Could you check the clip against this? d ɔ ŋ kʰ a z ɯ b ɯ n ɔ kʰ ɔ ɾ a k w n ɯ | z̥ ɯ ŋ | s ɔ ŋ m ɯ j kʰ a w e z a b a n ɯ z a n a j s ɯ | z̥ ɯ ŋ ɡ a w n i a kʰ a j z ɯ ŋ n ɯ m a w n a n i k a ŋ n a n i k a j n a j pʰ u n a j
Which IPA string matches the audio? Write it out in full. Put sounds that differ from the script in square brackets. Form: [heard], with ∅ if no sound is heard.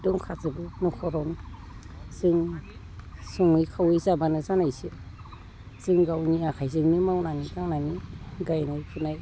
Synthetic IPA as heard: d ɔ ŋ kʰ a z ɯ b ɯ n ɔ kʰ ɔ ɾ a [∅] w n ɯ | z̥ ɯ ŋ | s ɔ ŋ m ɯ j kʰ a w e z a b a n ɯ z a n a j s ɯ | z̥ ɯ ŋ ɡ a w n i a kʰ a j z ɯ ŋ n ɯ m a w n a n i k a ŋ n a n i [ɡ] a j n a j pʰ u n a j